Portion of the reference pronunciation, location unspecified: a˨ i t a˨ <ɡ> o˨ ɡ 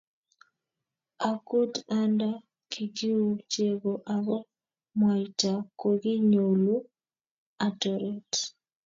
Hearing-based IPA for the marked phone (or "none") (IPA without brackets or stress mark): k